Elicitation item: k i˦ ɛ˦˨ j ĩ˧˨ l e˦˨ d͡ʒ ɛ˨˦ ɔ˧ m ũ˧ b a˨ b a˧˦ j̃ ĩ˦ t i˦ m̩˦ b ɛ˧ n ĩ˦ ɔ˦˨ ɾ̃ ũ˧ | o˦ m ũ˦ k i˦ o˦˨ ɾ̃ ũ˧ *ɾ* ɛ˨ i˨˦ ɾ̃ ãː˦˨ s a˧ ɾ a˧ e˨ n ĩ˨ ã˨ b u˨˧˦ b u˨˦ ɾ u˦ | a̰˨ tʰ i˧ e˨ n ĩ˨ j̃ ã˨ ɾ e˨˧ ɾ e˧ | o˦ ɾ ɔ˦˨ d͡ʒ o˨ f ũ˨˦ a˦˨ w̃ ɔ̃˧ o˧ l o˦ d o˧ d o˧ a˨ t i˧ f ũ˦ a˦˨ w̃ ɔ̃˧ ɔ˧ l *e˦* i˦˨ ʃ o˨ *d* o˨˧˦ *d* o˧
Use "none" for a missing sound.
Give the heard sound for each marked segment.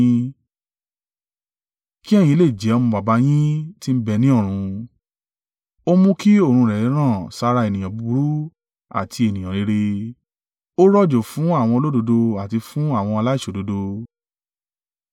ɾ, a˦, d, d

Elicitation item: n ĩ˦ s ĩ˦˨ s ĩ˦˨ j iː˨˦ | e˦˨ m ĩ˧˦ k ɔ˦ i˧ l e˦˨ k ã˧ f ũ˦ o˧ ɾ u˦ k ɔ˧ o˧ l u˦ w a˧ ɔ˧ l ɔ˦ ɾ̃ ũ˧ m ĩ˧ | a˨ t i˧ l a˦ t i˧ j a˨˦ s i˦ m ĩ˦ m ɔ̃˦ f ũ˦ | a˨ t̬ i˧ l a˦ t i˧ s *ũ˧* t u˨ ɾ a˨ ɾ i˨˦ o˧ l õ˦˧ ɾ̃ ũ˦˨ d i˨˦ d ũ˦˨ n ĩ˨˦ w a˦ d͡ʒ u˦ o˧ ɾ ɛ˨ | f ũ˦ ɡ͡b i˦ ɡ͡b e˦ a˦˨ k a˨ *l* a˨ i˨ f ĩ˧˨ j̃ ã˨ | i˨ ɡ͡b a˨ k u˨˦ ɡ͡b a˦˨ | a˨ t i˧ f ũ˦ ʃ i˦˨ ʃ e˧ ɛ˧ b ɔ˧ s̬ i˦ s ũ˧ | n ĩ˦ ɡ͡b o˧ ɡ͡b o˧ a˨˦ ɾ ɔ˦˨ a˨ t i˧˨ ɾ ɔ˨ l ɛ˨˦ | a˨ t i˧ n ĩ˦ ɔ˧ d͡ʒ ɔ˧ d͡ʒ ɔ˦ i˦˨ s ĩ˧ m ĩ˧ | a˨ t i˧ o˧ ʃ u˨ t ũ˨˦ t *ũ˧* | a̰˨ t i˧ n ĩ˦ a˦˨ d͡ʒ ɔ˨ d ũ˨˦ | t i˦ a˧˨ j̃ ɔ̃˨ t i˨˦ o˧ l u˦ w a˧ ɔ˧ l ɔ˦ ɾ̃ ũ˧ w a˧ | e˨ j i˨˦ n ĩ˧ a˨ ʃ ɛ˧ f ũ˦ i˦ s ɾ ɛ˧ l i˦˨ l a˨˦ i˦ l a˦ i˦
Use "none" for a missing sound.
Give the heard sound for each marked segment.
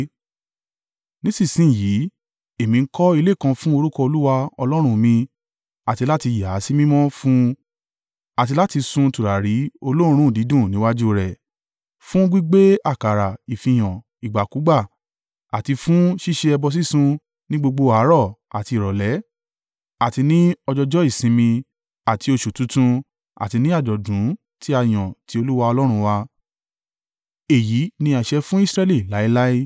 ũ˧, ɾ, ũ˧

